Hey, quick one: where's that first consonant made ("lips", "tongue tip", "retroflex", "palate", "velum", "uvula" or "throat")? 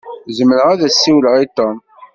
tongue tip